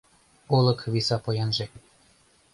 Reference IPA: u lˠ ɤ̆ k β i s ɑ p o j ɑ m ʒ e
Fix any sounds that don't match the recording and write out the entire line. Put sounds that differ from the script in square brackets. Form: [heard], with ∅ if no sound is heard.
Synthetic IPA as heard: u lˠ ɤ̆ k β i s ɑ p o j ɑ [n] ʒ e